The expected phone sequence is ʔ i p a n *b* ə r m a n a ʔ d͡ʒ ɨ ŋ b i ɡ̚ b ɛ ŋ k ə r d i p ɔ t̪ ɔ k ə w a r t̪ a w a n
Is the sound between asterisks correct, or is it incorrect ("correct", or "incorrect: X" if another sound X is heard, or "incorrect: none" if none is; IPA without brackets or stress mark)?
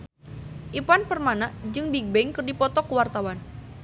incorrect: p